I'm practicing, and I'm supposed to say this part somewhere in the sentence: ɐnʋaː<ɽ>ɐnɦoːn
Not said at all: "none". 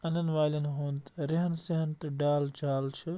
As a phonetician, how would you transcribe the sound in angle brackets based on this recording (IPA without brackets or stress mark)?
l